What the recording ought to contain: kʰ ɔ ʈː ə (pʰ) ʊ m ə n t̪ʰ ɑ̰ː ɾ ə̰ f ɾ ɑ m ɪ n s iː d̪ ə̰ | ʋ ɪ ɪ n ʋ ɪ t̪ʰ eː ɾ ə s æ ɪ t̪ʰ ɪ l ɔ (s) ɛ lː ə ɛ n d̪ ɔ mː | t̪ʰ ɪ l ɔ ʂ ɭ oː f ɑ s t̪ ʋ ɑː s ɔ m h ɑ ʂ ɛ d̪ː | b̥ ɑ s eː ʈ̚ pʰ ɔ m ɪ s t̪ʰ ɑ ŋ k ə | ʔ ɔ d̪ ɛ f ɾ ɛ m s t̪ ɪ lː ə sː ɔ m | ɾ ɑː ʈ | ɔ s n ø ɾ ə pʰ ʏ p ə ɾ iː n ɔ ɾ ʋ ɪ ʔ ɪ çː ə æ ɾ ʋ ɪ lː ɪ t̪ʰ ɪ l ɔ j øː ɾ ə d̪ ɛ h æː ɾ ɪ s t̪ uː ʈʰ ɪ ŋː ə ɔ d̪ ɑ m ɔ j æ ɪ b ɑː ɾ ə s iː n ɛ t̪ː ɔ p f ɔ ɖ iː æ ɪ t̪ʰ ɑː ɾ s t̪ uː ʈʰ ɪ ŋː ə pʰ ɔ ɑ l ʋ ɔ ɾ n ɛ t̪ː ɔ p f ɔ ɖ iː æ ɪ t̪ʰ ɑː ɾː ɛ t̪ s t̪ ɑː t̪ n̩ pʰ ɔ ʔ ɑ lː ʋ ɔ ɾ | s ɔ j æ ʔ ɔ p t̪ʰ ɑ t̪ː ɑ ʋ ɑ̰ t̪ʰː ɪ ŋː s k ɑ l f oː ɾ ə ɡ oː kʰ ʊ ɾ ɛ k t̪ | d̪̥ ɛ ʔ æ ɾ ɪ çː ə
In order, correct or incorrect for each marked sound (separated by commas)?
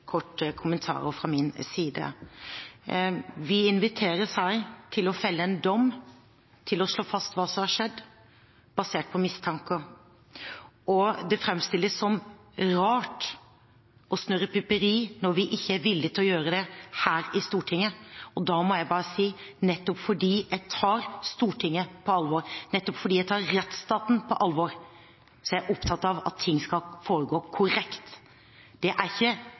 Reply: incorrect, incorrect